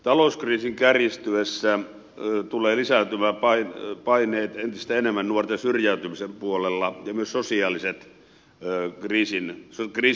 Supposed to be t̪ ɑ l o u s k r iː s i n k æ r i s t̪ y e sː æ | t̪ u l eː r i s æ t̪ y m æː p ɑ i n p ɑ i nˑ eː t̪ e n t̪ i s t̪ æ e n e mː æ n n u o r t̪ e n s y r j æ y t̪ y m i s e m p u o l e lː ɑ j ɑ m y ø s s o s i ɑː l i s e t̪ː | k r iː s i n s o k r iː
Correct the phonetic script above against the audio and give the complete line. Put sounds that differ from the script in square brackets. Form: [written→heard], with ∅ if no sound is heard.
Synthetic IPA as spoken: t̪ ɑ l o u s k r iː s i [n→ŋ] k æ r i s t̪ y e sː æ | t̪ u l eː [r→l] i s æ t̪ y m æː p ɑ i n p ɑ i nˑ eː t̪ e n t̪ i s t̪ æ e n e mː æ n n u o r t̪ e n s y r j æ y t̪ y m i s e m p u o l e lː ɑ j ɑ m y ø s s o s i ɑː l i s e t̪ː | k r iː s i n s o k r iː